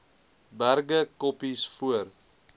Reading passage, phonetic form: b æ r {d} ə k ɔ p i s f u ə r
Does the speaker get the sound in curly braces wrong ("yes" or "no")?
yes